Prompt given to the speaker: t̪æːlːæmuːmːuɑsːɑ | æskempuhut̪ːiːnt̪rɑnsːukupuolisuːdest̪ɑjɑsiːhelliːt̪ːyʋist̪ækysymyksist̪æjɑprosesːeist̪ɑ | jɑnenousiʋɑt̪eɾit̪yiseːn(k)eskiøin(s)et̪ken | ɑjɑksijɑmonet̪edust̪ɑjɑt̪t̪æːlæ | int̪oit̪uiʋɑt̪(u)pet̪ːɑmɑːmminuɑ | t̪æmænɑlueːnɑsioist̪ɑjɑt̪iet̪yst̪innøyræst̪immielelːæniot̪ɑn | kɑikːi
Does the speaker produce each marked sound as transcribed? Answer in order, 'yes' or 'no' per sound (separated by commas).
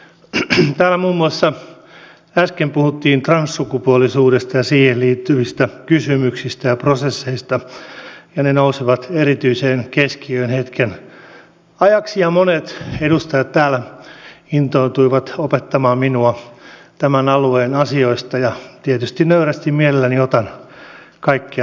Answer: yes, no, no